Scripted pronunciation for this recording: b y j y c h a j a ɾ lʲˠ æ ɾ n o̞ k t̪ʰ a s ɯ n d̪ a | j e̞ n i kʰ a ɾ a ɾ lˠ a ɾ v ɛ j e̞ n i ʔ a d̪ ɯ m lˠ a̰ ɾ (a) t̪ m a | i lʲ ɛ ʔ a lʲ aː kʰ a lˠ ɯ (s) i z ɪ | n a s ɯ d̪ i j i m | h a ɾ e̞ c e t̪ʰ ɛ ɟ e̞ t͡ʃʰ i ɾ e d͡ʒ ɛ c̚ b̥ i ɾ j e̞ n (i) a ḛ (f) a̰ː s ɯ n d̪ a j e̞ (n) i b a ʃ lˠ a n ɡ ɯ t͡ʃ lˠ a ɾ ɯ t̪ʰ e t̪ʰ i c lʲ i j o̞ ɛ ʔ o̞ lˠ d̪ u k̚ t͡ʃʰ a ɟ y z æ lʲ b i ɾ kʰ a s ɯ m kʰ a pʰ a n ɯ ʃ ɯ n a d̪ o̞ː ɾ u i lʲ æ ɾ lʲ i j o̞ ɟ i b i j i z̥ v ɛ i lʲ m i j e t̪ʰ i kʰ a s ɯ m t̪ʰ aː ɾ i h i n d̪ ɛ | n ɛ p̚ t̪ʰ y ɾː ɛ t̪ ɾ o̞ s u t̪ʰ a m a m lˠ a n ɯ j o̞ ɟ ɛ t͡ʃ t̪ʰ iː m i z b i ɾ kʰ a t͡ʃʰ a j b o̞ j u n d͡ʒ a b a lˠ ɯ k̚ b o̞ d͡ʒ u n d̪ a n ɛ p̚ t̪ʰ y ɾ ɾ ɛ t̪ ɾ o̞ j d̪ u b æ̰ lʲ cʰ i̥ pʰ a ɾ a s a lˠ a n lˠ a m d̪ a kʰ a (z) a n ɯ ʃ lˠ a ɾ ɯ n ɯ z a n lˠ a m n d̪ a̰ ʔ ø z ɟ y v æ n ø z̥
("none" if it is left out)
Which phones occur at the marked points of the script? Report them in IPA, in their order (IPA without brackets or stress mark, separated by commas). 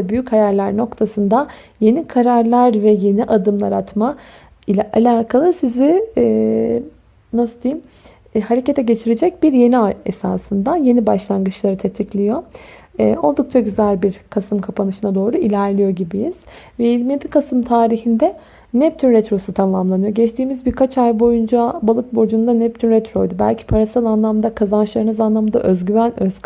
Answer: a, s, i, s, n, z